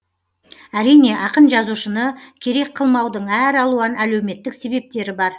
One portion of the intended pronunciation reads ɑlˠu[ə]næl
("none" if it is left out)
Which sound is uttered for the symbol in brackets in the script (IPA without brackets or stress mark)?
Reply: ɑ